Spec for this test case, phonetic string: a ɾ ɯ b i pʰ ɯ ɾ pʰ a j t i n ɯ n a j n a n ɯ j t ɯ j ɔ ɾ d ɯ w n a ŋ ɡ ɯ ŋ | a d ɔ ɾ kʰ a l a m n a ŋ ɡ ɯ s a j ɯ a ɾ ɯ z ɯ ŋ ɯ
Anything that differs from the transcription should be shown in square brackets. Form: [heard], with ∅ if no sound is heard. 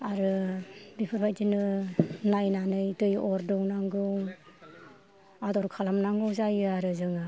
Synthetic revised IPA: a ɾ ɯ b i pʰ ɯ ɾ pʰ a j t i n ɯ n a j n a n ɯ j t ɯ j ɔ ɾ d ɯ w n a ŋ ɡ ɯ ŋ | a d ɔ ɾ kʰ a l a m n a ŋ ɡ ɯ [z] a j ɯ a ɾ ɯ z ɯ ŋ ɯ